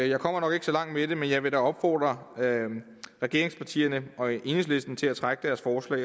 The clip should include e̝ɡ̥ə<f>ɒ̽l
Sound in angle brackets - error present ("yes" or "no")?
yes